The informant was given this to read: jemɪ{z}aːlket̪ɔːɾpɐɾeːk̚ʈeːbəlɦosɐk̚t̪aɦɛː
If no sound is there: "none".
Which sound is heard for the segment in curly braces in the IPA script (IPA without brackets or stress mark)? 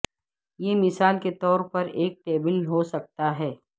s